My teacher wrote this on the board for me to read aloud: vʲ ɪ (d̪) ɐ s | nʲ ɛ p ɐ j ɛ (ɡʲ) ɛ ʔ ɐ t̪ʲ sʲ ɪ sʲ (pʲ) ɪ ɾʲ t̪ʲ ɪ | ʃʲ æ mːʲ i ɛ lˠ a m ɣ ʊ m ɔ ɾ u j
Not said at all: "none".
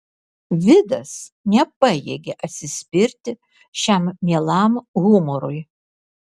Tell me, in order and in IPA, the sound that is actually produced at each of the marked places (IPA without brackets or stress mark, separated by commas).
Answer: d̪, ɡʲ, pʲ